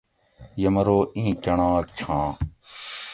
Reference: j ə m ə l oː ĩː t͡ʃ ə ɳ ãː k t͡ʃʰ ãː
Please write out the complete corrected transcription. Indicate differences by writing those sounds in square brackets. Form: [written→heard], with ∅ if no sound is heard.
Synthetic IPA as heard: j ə m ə [l→ɾ] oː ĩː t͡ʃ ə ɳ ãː k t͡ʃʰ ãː